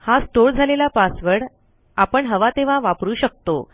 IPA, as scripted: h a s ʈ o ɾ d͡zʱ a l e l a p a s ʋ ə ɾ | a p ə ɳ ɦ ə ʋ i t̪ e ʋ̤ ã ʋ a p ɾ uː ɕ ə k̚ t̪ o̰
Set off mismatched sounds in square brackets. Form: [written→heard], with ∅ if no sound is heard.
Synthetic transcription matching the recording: h a s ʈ o ɾ d͡zʱ a l e l a p a s ʋ ə [ɾ→ɽ] | a p ə ɳ ɦ ə ʋ [i→a] t̪ e ʋ̤ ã ʋ a p ɾ uː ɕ ə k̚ t̪ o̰

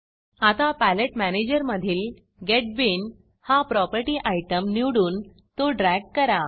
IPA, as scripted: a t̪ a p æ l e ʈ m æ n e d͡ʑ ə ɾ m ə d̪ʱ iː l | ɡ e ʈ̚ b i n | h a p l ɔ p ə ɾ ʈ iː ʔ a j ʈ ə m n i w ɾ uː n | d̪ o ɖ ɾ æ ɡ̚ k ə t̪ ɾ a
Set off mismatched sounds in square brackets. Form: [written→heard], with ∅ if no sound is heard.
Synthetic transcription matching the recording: a t̪ a p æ l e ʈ m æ n e d͡ʑ ə ɾ m ə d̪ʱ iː l | ɡ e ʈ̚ b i n | h a p [l→ɾ] ɔ p ə ɾ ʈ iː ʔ a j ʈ ə m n i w [ɾ→ɽ] uː n | [d̪→t̪] o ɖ ɾ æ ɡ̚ k ə [t̪→∅] ɾ a

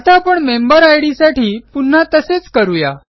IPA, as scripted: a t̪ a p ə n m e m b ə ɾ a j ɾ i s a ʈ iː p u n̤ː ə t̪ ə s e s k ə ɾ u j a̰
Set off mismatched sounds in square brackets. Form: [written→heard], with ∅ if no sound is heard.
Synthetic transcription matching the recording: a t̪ a p ə [n→ɳ] m e m b ə ɾ a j [ɾ→ɽ] i s a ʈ iː p u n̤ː [ə→a] t̪ ə s e [s→t͡s] k ə ɾ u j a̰

